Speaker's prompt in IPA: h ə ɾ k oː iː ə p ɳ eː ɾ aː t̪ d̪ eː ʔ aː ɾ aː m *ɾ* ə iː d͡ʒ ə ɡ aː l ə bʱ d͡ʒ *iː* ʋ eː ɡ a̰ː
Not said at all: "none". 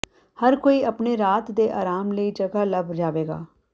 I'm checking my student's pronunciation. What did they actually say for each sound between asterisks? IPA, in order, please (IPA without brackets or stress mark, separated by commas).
l, aː